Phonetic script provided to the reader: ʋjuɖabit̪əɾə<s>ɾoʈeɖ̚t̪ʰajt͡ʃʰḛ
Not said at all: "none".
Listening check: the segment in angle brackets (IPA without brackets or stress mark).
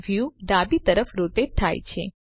f